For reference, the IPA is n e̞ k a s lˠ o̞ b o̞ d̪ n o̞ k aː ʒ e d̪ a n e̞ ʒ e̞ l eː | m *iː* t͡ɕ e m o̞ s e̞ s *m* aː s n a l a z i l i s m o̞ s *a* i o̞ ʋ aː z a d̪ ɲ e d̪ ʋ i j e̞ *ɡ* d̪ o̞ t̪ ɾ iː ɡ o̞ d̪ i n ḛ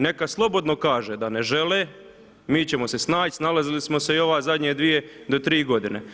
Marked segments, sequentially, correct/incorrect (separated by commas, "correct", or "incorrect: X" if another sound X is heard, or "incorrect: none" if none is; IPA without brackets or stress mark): correct, incorrect: n, incorrect: e, incorrect: none